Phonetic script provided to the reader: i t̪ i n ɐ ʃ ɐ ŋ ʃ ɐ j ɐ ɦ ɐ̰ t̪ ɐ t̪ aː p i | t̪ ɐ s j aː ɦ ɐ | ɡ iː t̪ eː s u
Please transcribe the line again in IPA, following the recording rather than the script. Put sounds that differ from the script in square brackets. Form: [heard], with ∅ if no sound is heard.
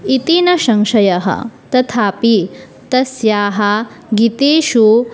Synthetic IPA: i t̪ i n ɐ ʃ ɐ ŋ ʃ ɐ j ɐ ɦ ɐ̰ t̪ ɐ [t̪ʰ] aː p i | t̪ ɐ s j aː ɦ ɐ | ɡ [i] t̪ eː [ʃ] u